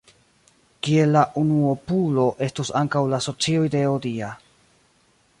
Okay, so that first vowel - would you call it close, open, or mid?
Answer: close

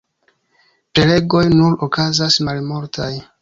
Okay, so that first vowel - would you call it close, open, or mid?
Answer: mid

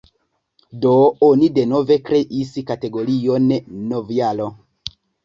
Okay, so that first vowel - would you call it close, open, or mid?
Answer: mid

